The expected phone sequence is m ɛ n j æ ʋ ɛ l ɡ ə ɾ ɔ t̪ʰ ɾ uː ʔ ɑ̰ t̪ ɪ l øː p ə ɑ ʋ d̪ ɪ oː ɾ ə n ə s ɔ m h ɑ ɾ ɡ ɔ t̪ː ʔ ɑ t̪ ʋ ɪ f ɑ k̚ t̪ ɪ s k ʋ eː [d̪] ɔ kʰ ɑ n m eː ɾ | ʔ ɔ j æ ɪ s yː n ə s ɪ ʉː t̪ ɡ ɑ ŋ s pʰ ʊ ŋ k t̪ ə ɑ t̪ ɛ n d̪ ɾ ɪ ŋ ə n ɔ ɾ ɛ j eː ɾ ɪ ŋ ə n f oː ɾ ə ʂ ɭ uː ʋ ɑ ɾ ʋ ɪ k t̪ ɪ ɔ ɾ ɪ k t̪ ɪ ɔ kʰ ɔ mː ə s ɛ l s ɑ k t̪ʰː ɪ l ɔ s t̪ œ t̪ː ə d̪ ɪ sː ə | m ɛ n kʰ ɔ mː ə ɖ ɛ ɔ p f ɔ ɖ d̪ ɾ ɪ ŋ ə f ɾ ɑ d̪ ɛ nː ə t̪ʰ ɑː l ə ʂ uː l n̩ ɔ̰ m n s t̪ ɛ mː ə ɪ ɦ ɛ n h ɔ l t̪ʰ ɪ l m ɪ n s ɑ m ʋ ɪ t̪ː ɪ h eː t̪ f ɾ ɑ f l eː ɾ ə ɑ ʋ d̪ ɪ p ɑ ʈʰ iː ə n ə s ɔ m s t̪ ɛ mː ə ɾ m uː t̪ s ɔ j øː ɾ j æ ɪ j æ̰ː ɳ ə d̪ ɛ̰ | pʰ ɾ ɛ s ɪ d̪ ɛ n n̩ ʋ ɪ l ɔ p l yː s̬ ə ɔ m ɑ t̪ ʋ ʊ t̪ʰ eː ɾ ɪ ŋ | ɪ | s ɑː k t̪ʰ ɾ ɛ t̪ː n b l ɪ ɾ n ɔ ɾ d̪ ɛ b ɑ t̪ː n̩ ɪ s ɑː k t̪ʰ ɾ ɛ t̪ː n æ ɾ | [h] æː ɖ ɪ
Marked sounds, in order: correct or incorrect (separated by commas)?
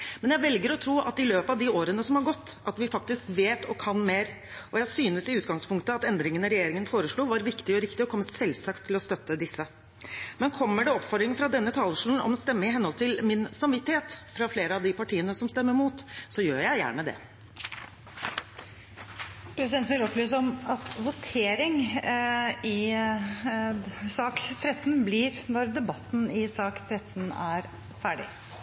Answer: incorrect, incorrect